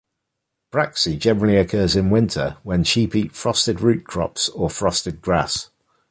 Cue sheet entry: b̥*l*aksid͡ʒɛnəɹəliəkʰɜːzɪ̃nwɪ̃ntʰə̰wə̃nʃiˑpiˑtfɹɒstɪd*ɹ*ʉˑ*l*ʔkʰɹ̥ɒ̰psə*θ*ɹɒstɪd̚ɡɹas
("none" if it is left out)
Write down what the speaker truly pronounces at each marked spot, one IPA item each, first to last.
ɹ, ɹ, none, f

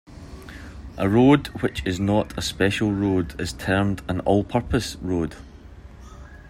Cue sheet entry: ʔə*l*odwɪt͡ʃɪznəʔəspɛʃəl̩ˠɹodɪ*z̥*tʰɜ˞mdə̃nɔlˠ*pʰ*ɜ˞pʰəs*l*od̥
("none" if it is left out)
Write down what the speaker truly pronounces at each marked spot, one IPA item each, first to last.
ɹ, z̥, pʰ, ɹ

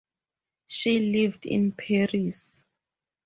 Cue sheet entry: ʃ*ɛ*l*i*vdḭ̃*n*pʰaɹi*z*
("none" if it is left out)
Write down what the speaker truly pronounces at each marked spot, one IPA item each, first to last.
i, i, n, s

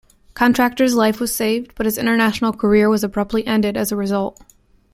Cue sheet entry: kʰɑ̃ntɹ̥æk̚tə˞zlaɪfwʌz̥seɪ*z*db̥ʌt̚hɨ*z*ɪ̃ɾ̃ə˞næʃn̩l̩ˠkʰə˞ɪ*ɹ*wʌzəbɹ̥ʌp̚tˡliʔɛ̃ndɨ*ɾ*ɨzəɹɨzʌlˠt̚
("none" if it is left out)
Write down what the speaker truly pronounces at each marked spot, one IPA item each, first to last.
v, z, ɹ, ɾ

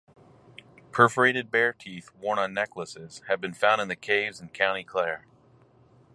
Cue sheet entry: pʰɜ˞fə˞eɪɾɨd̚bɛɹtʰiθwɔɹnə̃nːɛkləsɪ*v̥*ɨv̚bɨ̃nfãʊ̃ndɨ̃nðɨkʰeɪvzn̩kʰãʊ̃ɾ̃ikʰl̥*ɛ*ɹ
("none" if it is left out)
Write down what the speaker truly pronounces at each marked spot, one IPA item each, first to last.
z̥, ɛ

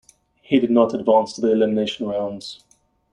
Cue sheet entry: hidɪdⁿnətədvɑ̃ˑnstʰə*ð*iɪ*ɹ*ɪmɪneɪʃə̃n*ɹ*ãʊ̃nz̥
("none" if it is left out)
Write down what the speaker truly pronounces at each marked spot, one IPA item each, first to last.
ð, l, ɹ

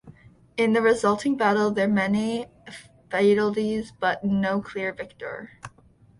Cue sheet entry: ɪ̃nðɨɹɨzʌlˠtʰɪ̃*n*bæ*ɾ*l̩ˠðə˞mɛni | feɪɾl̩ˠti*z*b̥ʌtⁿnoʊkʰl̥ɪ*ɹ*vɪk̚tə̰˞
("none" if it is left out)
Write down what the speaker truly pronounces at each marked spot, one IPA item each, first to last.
ŋ, ɾ, z, ɹ

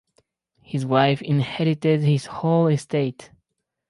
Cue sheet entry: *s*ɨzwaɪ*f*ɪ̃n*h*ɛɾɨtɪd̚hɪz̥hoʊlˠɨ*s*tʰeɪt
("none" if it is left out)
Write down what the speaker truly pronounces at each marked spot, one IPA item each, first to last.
h, f, h, s

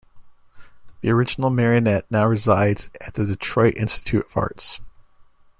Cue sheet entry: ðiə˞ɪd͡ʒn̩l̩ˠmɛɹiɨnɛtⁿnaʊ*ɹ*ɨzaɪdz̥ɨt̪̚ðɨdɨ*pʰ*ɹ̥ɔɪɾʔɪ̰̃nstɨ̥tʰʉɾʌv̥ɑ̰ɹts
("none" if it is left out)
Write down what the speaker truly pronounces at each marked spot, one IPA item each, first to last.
ɹ, tʰ

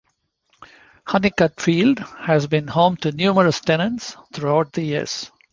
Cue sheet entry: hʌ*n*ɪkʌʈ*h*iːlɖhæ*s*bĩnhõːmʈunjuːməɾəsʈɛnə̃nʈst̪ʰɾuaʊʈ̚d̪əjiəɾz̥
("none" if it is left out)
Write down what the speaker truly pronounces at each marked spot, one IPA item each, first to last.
n, f, z

